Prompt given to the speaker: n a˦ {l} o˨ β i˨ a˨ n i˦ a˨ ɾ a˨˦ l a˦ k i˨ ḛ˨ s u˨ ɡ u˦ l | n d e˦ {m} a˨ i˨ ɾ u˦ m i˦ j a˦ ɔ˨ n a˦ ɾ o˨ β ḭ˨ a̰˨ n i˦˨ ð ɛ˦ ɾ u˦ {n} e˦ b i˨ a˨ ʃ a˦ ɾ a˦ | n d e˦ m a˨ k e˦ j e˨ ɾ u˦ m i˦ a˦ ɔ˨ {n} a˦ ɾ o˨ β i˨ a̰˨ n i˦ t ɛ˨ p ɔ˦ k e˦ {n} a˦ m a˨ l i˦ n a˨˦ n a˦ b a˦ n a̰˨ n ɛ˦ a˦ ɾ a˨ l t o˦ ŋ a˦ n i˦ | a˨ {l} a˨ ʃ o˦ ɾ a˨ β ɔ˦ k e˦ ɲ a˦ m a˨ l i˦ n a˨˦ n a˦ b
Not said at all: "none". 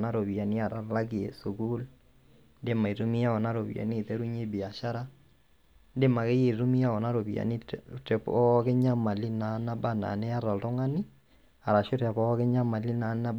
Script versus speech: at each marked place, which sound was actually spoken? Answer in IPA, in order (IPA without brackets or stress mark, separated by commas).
ɾ, m, ɲ, n, ɲ, ɾ